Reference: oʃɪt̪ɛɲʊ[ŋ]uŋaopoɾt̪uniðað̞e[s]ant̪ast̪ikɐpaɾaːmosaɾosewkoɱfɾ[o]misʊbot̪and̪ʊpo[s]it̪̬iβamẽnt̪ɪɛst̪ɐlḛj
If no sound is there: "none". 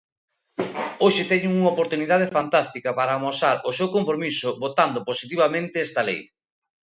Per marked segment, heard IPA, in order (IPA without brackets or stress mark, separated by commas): ŋ, f, o, s